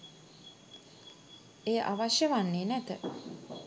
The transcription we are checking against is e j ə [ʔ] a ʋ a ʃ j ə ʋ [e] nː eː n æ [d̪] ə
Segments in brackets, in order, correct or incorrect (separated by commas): correct, incorrect, incorrect